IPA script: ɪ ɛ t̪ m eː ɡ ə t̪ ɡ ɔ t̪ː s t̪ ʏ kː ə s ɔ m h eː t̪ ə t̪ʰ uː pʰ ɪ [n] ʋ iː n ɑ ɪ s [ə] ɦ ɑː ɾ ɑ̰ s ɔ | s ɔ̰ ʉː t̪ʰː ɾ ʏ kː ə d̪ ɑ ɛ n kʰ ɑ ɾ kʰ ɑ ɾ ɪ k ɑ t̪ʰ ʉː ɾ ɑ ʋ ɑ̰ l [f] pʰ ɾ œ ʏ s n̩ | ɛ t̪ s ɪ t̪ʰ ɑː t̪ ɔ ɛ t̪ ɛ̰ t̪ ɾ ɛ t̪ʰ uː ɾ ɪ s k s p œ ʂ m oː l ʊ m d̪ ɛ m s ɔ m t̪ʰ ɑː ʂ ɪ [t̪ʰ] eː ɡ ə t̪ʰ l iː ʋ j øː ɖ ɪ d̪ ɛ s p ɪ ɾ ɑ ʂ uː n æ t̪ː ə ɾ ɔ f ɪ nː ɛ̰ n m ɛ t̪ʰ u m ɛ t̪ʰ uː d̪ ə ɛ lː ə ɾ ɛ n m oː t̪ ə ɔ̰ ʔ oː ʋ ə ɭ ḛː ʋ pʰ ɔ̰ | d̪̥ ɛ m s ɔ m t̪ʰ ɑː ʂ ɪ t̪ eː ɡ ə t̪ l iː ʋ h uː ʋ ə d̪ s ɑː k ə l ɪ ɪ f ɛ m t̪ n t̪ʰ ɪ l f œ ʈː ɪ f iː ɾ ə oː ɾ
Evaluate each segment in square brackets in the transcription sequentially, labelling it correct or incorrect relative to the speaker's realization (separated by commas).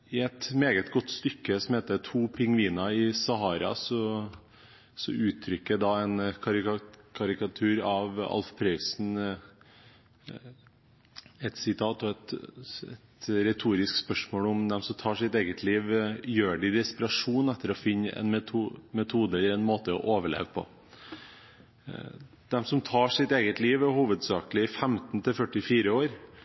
incorrect, incorrect, correct, incorrect